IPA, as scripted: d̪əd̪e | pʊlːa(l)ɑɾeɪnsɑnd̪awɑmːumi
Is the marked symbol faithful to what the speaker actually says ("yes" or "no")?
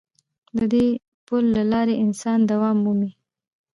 yes